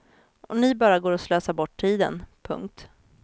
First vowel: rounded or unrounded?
rounded